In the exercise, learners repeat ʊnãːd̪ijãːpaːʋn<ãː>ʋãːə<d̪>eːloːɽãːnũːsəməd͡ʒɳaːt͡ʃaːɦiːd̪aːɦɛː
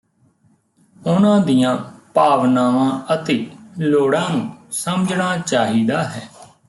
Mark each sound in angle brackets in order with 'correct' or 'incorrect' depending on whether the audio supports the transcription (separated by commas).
incorrect, incorrect